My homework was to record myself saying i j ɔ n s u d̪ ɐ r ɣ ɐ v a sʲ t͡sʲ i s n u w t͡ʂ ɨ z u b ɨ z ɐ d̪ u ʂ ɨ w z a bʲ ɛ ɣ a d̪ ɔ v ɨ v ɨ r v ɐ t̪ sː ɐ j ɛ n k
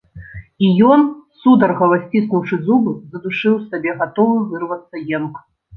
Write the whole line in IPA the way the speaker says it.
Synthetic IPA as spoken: i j ɔ n s u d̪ ɐ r ɣ ɐ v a sʲ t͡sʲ i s n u w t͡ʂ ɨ z u b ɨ z ɐ d̪ u ʂ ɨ w s a bʲ ɛ ɣ a t̪ ɔ v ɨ v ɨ r v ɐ t̪ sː ɐ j ɛ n k